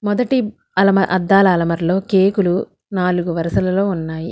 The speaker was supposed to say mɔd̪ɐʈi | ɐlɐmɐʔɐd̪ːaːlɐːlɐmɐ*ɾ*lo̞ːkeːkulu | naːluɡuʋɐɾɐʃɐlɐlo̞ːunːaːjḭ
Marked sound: correct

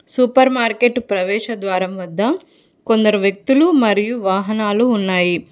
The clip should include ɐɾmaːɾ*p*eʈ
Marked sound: incorrect: k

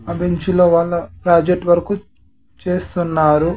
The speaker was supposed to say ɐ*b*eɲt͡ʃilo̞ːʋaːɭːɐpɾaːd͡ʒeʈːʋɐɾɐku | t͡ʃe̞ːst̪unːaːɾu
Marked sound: correct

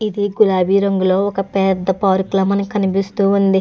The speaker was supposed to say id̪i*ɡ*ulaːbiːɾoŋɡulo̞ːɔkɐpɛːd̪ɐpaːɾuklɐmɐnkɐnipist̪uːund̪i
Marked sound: correct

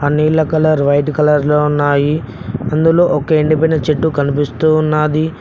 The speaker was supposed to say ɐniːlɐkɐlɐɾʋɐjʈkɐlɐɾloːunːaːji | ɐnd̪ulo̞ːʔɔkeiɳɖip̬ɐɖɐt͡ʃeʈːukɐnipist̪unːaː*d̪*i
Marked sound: correct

